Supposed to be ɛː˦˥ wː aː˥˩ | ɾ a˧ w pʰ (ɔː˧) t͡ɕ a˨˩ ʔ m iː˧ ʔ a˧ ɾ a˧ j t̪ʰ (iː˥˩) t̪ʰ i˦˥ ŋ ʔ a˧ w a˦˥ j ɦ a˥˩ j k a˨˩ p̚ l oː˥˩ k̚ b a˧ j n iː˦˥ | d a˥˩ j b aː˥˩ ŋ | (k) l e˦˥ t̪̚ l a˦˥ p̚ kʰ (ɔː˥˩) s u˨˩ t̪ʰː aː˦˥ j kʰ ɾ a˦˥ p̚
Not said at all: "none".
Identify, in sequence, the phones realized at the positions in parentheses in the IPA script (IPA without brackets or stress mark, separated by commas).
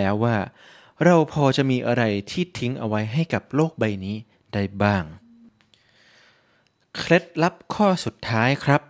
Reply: ɔː˧, iː˥˩, kʰ, ɔː˥˩